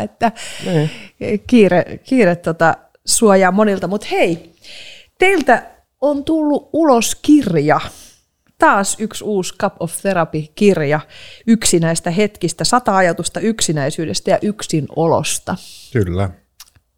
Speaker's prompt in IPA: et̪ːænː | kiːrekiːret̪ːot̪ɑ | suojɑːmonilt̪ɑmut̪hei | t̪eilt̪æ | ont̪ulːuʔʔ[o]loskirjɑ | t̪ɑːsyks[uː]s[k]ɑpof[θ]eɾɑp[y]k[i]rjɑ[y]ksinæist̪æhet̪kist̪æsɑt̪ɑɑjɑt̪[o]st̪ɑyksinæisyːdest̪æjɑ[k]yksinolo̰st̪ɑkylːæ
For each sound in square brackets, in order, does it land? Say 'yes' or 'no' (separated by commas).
no, yes, yes, yes, no, yes, yes, no, no